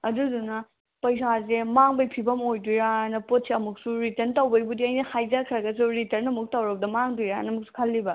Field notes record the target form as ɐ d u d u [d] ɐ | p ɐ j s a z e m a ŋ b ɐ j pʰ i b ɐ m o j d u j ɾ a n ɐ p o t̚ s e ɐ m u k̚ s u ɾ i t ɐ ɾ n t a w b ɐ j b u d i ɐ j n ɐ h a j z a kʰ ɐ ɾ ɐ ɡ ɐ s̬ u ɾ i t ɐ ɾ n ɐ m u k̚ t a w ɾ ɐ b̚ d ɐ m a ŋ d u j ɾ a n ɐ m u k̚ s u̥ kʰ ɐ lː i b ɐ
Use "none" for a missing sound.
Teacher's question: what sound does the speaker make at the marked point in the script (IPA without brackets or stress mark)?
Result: n